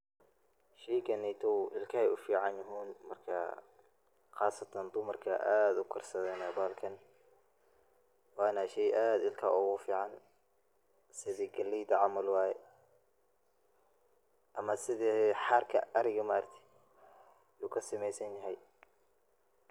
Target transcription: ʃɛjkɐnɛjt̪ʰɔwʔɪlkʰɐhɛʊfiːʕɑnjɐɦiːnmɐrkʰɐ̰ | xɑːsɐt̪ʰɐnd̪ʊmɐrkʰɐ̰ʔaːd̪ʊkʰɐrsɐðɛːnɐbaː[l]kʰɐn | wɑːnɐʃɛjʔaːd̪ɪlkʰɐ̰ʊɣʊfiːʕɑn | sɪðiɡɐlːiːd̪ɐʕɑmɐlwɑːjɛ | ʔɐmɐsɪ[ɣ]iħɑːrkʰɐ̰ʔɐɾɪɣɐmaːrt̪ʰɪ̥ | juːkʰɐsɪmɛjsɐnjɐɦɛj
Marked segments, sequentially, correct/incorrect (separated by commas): correct, incorrect